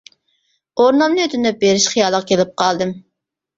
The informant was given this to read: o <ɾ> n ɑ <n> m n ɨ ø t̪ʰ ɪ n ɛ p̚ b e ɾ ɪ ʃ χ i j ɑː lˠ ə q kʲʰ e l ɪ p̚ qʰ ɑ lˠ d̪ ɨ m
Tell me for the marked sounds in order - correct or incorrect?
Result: correct, incorrect: none

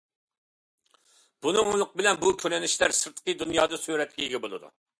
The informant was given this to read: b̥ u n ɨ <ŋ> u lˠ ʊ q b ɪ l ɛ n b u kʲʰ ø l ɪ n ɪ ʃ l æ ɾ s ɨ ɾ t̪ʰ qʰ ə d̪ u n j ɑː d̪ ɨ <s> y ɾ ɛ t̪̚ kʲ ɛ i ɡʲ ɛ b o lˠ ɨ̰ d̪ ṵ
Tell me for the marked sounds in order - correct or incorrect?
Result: correct, correct

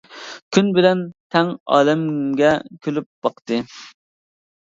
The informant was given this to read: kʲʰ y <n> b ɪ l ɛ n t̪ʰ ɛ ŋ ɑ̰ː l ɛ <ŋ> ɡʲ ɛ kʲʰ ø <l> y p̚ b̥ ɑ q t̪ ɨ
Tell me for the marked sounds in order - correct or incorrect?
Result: correct, incorrect: m, correct

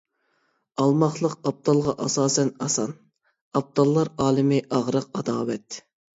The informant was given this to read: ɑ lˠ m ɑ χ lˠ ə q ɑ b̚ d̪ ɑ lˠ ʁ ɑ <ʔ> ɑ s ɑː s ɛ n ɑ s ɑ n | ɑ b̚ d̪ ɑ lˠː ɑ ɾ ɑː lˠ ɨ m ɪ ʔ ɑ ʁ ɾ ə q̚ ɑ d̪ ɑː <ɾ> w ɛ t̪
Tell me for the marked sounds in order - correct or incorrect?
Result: correct, incorrect: none

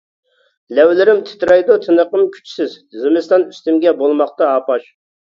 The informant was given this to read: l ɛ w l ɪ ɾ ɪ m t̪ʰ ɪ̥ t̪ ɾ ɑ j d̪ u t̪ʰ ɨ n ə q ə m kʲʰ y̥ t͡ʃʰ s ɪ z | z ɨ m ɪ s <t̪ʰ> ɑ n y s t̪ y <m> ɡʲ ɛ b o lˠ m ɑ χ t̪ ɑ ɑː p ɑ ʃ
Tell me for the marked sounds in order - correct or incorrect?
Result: incorrect: t̪, correct

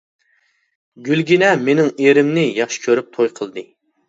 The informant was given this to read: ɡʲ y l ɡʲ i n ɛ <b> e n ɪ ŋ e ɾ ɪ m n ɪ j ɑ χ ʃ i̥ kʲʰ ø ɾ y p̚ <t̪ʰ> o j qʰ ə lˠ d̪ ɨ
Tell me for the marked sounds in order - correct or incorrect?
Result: incorrect: m, correct

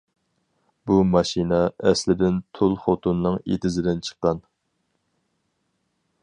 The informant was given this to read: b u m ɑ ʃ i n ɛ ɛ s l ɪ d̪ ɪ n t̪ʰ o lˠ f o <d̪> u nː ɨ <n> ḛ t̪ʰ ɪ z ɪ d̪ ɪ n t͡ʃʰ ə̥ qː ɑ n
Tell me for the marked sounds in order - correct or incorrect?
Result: incorrect: t̪, incorrect: ŋ

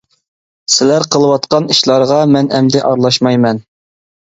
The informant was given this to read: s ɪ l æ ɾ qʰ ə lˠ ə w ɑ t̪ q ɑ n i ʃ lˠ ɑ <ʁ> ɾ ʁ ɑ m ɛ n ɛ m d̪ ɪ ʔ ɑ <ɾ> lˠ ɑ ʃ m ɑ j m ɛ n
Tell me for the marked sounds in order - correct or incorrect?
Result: incorrect: none, correct

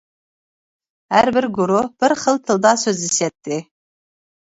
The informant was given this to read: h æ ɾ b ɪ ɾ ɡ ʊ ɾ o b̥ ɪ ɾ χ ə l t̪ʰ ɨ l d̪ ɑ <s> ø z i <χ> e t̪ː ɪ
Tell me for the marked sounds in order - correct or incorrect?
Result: correct, incorrect: s

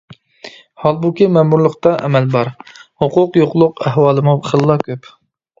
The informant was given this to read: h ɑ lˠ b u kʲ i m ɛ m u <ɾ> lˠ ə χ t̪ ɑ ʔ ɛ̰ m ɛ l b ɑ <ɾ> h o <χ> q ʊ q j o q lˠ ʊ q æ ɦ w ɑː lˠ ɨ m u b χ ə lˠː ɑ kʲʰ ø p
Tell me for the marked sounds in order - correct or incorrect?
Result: correct, correct, incorrect: none

